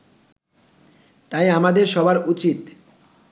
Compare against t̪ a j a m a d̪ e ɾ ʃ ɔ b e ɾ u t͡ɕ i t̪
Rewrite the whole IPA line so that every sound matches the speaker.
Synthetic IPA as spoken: t̪ a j a m a d̪ e ɾ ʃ ɔ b a ɾ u t͡ɕ i t̪

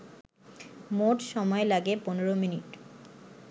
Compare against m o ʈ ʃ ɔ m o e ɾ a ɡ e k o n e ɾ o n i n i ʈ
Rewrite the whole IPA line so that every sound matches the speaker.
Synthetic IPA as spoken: m o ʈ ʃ ɔ m ɔ e l a ɡ e p o n e ɾ o m i n i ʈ

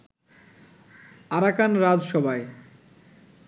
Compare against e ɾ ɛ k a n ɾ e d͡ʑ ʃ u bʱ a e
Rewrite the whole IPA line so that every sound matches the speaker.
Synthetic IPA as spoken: a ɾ a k a n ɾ a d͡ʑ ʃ ɔ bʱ a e

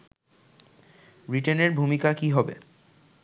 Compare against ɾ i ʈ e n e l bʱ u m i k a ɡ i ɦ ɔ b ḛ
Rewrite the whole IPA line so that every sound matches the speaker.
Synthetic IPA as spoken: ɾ i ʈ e n e ɾ bʱ u m i k a k i ɦ ɔ b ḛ

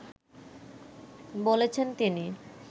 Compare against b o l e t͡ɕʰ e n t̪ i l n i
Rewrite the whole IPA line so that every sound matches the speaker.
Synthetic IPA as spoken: b o l e t͡ɕʰ e n t̪ i n i

